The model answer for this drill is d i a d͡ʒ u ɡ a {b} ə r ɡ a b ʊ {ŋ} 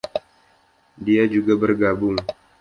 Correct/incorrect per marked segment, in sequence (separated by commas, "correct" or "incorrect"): correct, correct